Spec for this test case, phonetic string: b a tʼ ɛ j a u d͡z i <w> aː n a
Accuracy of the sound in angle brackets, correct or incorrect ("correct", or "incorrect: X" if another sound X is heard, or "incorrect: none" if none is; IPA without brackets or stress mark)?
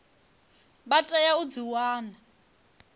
correct